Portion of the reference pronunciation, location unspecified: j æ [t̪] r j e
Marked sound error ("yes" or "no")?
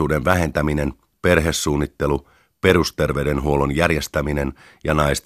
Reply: yes